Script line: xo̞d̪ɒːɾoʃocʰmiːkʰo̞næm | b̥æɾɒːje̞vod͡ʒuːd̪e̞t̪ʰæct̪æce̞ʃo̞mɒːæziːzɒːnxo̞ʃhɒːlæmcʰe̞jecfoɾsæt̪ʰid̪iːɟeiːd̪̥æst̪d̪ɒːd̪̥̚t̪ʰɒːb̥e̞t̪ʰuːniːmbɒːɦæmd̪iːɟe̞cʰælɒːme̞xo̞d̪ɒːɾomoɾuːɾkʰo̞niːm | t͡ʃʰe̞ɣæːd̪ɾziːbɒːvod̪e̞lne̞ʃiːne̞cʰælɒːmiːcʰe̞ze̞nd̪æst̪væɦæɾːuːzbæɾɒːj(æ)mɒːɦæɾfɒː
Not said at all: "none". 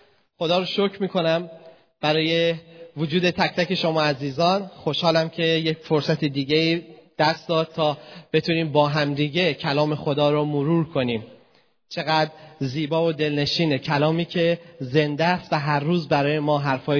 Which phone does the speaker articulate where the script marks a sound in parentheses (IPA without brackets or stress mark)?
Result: e